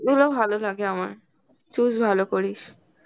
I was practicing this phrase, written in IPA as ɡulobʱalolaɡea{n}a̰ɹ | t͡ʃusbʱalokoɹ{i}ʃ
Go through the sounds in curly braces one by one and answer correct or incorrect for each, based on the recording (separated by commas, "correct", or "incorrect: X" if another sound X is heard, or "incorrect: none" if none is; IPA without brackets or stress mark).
incorrect: m, correct